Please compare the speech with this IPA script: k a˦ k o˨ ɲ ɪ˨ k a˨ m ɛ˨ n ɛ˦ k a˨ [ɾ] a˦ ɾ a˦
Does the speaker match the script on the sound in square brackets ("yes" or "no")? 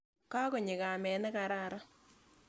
yes